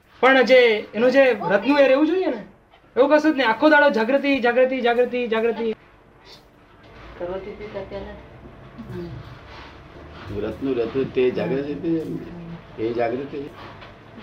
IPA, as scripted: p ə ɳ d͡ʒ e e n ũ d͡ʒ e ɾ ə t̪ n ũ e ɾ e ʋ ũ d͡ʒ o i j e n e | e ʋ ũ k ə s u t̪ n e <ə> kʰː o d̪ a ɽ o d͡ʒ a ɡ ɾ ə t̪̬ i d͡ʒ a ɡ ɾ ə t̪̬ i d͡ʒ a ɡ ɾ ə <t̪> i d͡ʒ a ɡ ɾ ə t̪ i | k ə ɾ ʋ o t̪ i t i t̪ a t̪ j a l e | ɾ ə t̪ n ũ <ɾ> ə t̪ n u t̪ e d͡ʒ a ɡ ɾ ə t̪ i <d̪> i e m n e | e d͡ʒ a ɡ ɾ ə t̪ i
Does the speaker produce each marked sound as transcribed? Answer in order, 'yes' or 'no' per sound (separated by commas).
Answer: no, yes, yes, no